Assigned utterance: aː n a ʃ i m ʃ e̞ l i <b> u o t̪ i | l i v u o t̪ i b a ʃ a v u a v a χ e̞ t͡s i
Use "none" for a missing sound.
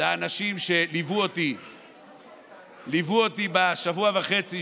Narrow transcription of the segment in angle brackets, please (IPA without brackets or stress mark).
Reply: v